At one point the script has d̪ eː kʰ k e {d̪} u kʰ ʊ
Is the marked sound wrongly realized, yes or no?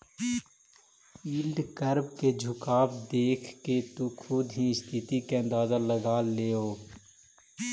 yes